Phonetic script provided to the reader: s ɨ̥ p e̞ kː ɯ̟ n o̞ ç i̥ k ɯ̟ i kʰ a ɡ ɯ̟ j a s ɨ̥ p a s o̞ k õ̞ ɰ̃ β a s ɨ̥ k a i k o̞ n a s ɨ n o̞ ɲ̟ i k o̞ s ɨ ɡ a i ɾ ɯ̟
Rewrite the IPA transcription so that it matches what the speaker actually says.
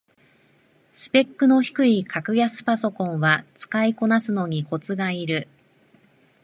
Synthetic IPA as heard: s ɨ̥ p e̞ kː ɯ̟ n o̞ ç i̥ k ɯ̟ i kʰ a k ɯ̟ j a s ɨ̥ p a s o̞ k õ̞ ɰ̃ β a t͡s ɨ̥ k a i k o̞ n a s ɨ n o̞ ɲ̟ i k o̞ t͡s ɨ ɡ a i ɾ ɯ̟